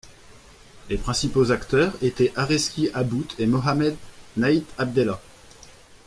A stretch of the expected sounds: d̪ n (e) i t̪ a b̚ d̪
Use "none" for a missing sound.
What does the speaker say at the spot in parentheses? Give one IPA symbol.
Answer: a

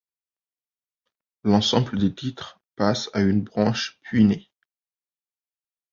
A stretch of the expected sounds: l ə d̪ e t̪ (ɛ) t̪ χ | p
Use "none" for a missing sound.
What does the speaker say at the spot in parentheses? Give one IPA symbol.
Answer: i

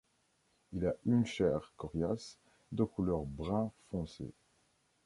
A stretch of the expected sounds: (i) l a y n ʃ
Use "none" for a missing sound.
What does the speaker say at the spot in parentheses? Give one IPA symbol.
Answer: i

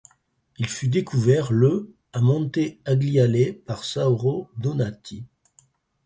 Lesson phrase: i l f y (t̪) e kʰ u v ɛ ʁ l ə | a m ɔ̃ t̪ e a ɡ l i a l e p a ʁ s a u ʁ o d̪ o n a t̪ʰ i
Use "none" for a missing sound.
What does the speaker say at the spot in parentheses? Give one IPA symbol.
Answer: d̪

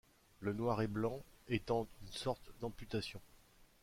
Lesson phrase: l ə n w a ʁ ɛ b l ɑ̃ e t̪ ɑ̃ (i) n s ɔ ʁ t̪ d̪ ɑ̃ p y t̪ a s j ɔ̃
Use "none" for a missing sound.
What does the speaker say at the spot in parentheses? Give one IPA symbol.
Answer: y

